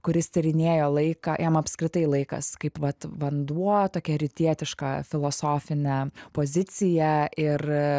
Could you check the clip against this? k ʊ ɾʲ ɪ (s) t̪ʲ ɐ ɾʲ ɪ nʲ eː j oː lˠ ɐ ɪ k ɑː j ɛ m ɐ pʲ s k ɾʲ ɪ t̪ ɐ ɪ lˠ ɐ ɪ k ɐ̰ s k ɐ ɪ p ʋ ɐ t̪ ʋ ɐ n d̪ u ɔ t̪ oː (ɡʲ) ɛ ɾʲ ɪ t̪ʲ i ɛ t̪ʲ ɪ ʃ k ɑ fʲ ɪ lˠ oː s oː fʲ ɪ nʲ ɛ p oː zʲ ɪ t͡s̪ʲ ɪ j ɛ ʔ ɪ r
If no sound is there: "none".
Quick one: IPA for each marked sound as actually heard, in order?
s, kʲ

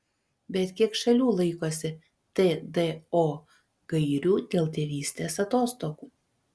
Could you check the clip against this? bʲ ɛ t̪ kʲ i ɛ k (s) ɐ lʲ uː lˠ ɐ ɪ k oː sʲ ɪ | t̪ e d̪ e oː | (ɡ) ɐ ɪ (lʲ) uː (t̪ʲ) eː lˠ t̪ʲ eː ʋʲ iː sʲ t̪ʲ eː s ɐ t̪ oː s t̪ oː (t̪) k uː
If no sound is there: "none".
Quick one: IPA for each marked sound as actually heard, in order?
ʃ, ɡ, ɾʲ, d̪ʲ, none

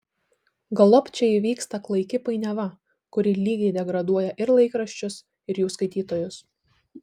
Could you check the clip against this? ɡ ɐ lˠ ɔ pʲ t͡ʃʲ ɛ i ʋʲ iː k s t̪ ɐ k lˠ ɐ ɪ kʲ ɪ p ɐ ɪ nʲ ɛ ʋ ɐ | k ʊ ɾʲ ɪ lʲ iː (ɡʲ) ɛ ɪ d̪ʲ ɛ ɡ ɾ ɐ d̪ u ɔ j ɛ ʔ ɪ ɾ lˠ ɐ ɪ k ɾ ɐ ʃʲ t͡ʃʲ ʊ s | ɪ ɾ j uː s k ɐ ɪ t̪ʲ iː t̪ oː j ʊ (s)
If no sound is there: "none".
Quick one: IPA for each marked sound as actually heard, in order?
ɡʲ, s

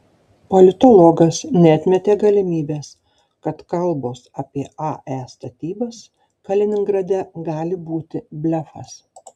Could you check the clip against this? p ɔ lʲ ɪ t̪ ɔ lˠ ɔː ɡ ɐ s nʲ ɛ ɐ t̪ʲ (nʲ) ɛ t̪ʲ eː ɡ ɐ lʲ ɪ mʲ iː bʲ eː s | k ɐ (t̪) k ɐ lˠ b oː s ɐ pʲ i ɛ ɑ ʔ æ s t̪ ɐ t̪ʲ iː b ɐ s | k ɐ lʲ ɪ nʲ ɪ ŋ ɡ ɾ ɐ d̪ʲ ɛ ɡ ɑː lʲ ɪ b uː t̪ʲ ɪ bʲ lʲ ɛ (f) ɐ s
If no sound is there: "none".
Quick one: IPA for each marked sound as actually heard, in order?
mʲ, t̪, f

